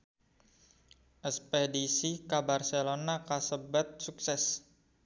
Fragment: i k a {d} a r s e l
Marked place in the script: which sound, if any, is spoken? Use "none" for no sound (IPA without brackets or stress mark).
b